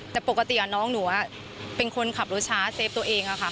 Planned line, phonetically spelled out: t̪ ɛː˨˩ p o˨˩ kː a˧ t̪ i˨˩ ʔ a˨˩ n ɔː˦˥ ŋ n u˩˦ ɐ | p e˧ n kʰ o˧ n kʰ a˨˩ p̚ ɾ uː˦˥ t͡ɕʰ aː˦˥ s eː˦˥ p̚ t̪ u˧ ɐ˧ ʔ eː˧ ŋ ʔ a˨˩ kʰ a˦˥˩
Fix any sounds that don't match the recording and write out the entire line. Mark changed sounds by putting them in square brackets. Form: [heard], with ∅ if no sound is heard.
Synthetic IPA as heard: t̪ ɛː˨˩ p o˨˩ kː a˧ t̪ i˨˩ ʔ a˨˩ n ɔː˦˥ ŋ n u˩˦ ɐ | p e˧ n kʰ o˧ n kʰ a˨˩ p̚ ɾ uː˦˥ t͡ɕʰ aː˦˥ s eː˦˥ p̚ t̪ u˧ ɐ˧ ʔ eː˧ ŋ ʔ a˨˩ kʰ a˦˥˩